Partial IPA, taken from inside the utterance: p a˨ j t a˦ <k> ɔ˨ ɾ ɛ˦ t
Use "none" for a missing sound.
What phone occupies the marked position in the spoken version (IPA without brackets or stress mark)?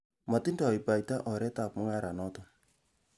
ʔ